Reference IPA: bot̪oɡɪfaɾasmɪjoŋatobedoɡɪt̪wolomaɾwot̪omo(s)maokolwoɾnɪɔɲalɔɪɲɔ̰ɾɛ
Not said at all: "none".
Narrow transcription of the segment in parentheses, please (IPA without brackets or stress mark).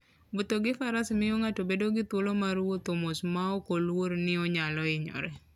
s